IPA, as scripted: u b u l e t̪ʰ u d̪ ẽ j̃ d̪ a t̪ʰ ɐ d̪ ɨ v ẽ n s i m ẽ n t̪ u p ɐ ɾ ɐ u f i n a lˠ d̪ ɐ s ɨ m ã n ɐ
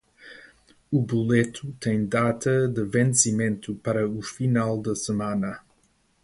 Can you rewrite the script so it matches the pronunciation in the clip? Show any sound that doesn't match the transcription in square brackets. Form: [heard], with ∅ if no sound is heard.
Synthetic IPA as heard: u b u l e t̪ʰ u [t̪] ẽ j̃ d̪ a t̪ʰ ɐ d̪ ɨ v ẽ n s i m ẽ n t̪ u p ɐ ɾ ɐ u f i n a lˠ d̪ ɐ s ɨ m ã n ɐ